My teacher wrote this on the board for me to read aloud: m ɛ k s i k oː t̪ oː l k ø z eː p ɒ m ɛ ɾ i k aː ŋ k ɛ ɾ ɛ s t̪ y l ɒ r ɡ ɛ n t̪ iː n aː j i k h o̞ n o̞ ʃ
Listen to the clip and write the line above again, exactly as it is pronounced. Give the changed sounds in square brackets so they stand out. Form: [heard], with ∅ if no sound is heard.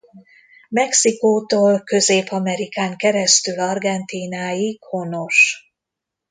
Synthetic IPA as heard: m ɛ k s i k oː t̪ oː l k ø z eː p ɒ m ɛ ɾ i k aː ŋ k ɛ ɾ ɛ s t̪ y l ɒ r ɡ ɛ n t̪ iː n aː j i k h o̞ n o̞ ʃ